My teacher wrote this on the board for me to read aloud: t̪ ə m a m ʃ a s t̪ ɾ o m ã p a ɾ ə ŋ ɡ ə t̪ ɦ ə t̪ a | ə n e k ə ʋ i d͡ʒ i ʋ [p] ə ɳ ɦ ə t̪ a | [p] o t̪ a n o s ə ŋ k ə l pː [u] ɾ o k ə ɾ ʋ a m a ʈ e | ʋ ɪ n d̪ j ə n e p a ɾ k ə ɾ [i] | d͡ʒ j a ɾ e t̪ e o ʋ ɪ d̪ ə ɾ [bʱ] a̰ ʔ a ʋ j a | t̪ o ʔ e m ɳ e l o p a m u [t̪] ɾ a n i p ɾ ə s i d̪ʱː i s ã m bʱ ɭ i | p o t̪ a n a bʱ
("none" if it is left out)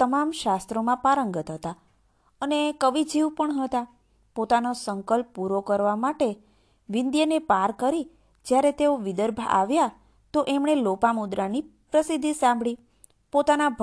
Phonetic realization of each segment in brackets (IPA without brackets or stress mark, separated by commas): p, p, u, i, bʱ, d̪